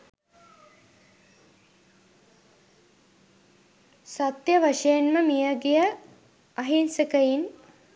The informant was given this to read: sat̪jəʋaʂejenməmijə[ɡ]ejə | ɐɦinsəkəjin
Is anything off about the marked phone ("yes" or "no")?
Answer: no